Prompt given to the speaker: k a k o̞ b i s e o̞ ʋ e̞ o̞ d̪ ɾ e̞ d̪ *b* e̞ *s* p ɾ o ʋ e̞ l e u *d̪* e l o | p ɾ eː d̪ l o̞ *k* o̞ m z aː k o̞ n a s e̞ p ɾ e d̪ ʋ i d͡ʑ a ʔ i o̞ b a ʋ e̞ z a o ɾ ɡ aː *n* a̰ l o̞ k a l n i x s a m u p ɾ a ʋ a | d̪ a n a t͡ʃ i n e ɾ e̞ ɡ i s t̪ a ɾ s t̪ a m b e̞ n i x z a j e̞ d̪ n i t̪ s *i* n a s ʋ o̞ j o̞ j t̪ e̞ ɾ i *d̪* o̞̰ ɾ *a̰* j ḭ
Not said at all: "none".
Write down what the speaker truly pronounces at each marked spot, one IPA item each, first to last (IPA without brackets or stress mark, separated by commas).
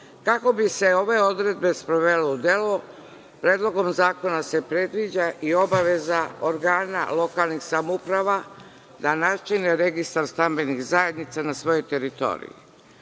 b, s, d̪, ɡ, n, a, t̪, ḭ